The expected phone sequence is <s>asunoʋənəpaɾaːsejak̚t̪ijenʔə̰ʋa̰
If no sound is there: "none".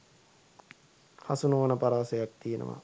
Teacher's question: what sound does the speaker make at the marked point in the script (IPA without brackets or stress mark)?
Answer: h